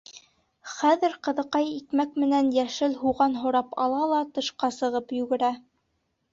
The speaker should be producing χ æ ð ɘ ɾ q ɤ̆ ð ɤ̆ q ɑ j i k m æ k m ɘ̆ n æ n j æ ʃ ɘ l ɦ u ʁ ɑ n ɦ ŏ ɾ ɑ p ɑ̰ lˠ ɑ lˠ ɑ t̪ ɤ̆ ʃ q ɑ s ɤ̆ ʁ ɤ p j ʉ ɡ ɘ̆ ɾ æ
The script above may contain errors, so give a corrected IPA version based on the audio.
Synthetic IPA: χ æ ð ɘ ɾ q ɤ̆ ð ɤ̆ q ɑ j i k m æ k m ɘ̆ n æ n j æ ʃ ɘ l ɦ u ʁ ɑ n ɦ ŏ ɾ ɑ p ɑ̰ lˠ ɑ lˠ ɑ t̪ ɤ̆ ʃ q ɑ s ɤ̆ ʁ ɤ p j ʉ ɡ ɘ̆ ɾ æ